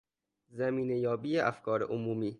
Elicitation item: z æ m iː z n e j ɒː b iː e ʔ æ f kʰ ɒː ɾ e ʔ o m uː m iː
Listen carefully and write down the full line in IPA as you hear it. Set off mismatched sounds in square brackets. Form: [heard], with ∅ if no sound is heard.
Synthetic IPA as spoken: z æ m iː [∅] n e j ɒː b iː e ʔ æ f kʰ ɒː ɾ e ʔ o m uː m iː